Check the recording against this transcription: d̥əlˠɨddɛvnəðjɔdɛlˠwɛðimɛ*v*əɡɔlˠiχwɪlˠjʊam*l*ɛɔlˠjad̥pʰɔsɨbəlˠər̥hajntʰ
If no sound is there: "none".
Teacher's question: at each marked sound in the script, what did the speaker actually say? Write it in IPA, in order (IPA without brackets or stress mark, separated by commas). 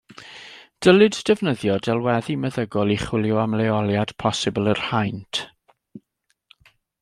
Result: ð, l